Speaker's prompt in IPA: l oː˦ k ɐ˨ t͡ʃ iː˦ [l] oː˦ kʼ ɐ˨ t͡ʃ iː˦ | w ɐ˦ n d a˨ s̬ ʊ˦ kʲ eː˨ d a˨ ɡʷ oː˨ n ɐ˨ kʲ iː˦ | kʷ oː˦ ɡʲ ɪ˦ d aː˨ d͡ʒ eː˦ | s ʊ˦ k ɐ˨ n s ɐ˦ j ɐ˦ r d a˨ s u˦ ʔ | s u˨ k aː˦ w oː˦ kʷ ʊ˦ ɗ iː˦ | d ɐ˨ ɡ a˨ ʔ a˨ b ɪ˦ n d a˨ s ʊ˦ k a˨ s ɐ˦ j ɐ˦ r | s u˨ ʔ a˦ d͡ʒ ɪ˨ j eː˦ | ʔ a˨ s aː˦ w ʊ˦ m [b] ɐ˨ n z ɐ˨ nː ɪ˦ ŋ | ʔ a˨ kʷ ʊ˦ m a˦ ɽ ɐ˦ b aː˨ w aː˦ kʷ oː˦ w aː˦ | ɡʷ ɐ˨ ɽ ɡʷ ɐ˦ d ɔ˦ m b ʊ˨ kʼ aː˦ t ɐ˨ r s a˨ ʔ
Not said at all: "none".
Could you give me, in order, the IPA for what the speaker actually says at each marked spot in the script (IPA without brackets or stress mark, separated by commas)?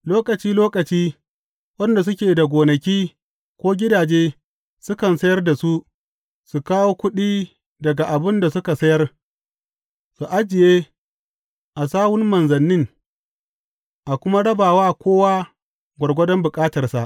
l, m